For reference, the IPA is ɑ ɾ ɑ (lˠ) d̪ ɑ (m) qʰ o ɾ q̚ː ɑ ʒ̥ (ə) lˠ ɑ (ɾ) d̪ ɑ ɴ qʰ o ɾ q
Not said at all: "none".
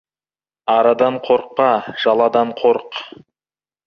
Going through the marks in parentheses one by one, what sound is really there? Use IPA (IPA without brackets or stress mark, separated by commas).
none, ɴ, ɑ, none